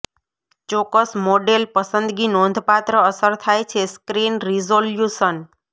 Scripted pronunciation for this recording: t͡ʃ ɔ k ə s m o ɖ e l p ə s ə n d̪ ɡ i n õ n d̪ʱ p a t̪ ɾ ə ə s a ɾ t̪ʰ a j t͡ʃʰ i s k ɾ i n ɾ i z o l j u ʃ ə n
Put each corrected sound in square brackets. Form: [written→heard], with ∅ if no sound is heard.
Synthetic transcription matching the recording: t͡ʃ ɔ k ə s m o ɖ e l p ə s ə n d̪ ɡ i n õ n d̪ʱ p a t̪ ɾ ə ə s [a→ə] ɾ t̪ʰ a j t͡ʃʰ [i→e] s k ɾ i n ɾ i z o l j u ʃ ə n